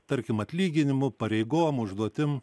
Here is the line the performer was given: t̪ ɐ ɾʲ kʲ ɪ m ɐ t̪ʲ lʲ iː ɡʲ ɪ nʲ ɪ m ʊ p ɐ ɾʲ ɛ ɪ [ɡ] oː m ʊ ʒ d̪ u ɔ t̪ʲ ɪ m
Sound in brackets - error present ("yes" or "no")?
no